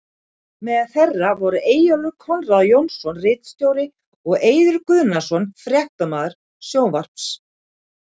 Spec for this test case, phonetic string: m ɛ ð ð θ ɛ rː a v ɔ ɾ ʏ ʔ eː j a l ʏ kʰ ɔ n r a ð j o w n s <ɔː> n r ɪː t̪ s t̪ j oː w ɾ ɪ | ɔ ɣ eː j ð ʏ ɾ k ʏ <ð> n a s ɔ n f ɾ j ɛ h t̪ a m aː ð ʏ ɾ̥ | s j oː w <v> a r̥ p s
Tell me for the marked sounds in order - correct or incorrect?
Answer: incorrect: ɔ, correct, correct

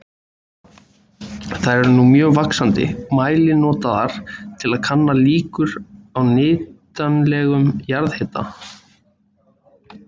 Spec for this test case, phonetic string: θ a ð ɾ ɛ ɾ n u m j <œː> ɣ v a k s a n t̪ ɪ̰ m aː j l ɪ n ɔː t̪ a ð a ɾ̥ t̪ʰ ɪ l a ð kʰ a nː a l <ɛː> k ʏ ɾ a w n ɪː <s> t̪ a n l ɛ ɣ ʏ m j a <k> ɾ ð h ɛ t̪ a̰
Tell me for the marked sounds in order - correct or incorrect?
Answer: correct, incorrect: iː, incorrect: none, incorrect: none

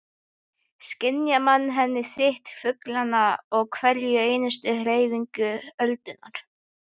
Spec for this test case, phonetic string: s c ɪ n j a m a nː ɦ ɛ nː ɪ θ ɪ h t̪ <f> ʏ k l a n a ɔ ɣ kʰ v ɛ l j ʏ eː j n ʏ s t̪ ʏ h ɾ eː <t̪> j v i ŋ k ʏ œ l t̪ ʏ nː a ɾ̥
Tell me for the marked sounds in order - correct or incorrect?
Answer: correct, incorrect: none

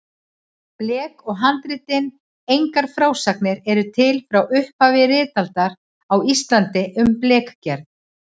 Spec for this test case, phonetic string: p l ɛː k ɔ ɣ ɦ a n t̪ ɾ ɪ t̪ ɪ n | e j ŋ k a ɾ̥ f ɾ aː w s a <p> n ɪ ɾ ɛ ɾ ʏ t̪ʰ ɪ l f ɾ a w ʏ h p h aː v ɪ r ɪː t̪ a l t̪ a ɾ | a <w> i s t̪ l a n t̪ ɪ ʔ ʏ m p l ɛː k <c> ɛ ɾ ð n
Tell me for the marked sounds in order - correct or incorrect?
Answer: incorrect: k, correct, correct

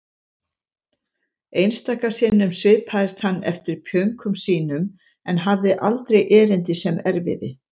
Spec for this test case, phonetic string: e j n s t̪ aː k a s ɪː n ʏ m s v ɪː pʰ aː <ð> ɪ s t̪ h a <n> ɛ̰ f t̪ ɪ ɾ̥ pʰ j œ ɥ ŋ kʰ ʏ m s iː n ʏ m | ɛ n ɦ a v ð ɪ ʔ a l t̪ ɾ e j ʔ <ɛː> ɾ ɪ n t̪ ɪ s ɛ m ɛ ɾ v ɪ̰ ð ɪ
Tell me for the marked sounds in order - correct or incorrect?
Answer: correct, incorrect: nː, correct

